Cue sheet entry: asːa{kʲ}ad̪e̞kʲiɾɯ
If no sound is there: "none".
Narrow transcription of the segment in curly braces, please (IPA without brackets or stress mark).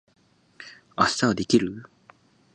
none